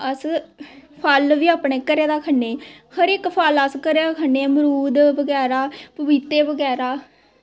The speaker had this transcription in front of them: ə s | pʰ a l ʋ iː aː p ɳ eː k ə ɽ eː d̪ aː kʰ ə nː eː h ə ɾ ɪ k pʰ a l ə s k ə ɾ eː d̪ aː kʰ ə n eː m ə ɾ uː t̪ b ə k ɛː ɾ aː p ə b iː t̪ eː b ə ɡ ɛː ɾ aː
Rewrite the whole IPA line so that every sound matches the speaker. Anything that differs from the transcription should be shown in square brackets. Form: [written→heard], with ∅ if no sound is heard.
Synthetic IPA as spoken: ə s | pʰ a l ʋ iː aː p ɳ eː k ə [ɽ→ɾ] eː d̪ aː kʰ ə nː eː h ə ɾ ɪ k pʰ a l ə s k ə ɾ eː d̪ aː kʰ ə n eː m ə ɾ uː [t̪→d̪] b ə [k→ɡ] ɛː ɾ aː p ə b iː t̪ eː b ə ɡ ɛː ɾ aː